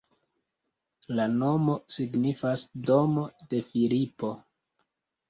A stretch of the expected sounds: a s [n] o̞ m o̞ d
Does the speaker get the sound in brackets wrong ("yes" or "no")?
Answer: yes